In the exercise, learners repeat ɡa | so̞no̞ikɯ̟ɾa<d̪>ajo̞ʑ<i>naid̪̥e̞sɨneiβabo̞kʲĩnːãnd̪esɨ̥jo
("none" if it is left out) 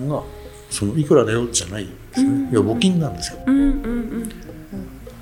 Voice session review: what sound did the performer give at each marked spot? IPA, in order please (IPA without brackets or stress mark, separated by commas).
d̪, a